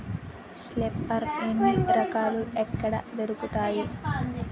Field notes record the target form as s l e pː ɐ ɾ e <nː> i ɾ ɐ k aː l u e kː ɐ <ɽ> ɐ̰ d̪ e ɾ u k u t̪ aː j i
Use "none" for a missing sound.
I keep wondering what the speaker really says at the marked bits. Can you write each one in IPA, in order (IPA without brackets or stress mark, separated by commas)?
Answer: nː, ɽ